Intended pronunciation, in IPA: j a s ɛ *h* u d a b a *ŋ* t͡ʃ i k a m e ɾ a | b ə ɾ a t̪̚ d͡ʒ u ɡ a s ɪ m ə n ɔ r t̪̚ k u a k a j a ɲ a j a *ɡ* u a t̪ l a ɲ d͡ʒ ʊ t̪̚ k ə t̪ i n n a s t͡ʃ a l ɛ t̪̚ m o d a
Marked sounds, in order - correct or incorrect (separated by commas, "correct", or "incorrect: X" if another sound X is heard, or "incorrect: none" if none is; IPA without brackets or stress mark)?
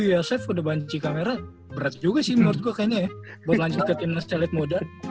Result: incorrect: f, incorrect: ɲ, incorrect: b